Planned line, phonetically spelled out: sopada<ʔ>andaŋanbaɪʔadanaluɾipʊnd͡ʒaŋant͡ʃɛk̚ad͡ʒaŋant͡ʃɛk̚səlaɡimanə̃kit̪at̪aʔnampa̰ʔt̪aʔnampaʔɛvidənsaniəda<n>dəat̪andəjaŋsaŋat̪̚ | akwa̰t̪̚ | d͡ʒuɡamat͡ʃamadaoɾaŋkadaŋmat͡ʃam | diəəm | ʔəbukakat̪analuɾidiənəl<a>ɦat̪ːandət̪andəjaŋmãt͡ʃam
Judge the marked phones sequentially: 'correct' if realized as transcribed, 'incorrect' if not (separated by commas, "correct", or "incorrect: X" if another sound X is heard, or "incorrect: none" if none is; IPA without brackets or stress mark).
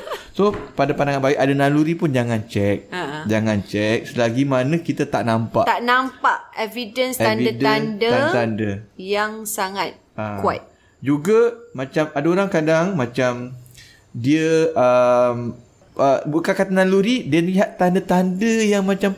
incorrect: p, correct, incorrect: i